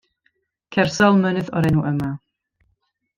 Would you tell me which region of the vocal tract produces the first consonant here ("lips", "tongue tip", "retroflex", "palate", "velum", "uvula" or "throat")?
velum